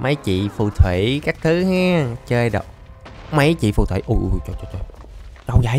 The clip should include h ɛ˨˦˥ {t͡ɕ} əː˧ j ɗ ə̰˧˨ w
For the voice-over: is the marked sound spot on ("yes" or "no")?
yes